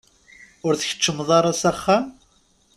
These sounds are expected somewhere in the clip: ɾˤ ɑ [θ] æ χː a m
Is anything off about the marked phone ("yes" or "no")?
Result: yes